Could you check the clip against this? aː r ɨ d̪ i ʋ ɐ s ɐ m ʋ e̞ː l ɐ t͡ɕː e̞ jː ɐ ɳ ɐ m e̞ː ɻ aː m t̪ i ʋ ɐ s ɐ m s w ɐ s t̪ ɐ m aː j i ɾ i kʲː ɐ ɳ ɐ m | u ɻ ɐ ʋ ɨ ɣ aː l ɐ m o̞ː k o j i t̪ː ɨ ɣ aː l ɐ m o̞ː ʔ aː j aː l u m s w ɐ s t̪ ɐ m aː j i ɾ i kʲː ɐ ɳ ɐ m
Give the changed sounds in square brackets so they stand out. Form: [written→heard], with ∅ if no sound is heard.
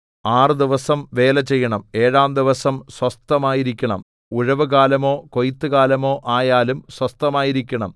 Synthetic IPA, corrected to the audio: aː r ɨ d̪ i ʋ ɐ s ɐ m ʋ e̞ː l ɐ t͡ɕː e̞ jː ɐ ɳ ɐ m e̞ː ɻ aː m [t̪→d̪] i ʋ ɐ s ɐ m s w ɐ s t̪ ɐ m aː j i ɾ i kʲː ɐ ɳ ɐ m | u ɻ ɐ ʋ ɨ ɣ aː l ɐ m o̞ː k o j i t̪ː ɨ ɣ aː l ɐ m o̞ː ʔ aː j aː l u m s w ɐ s t̪ ɐ m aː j i ɾ i kʲː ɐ ɳ ɐ m